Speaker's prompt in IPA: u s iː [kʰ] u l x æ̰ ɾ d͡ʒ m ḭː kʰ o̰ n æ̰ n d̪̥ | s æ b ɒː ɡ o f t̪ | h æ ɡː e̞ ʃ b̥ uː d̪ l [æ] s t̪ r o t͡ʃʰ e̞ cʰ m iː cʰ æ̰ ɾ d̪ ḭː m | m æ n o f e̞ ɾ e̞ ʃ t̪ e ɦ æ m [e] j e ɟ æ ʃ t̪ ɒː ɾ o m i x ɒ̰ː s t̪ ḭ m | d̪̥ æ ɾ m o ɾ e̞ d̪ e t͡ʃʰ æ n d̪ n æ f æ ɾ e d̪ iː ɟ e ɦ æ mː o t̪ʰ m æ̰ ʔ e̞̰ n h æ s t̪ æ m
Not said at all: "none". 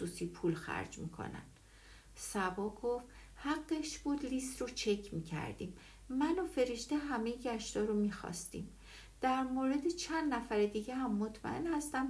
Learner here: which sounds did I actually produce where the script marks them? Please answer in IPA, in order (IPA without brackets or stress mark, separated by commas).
pʰ, i, e